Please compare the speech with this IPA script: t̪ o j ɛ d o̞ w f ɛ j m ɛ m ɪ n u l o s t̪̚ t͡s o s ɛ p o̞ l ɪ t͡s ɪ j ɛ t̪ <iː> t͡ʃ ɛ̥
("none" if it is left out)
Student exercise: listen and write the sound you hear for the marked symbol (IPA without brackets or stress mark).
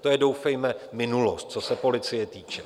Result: iː